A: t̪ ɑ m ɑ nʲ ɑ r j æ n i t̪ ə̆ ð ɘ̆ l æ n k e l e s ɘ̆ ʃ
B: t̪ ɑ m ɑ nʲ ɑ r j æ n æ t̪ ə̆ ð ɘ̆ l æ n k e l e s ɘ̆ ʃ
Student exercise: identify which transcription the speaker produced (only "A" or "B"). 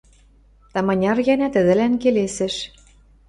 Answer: B